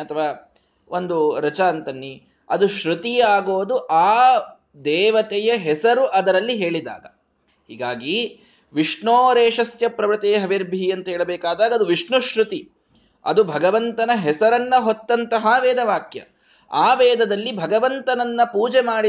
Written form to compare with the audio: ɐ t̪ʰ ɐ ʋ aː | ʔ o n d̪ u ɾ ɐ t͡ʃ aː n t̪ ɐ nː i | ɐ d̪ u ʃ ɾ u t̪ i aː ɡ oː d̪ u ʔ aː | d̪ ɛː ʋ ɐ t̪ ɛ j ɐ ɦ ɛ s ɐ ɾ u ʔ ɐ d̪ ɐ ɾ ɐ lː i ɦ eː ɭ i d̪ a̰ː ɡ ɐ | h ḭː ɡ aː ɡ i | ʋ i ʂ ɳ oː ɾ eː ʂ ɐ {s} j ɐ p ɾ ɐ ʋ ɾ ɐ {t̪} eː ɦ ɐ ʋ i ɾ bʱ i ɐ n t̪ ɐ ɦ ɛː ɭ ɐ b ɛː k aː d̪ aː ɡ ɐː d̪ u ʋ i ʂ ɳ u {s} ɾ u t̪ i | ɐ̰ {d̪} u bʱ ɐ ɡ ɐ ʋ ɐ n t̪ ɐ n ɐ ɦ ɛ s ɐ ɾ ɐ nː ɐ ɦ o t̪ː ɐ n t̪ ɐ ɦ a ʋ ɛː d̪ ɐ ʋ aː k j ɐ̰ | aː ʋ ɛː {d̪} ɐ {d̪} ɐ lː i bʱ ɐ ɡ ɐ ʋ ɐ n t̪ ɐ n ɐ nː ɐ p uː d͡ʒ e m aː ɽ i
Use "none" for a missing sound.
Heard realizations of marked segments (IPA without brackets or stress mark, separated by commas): s, t̪, ʃ, d̪, d̪, d̪